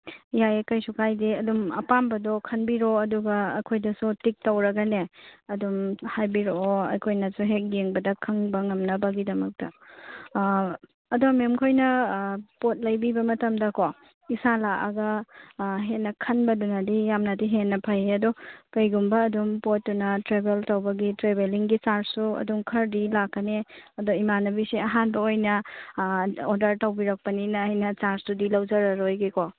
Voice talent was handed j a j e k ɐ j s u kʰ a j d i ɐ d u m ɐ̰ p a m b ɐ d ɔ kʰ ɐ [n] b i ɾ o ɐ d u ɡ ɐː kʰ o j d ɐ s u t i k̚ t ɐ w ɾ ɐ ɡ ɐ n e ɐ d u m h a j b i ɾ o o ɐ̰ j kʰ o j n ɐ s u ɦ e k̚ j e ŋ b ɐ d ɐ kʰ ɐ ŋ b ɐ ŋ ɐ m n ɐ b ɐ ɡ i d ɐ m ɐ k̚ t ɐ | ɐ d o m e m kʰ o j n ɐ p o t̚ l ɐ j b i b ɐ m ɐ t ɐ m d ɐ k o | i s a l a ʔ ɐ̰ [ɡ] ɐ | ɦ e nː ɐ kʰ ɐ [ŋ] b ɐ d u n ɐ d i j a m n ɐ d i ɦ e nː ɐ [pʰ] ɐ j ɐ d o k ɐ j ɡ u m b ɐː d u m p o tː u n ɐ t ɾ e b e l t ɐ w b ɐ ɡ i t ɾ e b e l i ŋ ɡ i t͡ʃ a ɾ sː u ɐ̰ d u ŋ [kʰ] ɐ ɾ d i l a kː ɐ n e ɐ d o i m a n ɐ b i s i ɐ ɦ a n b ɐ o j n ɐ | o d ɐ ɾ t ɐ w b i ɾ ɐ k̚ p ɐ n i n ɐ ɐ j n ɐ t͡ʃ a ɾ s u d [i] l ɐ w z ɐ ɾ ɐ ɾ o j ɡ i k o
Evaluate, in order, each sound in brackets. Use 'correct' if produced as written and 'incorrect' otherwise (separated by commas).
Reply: correct, correct, incorrect, correct, correct, correct